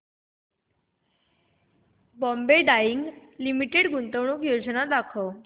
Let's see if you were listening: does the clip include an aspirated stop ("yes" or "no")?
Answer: yes